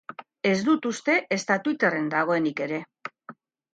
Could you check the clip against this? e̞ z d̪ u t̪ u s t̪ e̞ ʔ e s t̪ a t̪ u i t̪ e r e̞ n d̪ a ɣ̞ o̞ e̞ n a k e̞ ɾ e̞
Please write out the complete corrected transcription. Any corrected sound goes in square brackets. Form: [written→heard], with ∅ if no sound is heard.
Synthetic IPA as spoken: e̞ z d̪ u t̪ u s t̪ e̞ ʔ e s t̪ a t̪ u i t̪ e r e̞ n d̪ a ɣ̞ o̞ e̞ n [a→i] k e̞ ɾ e̞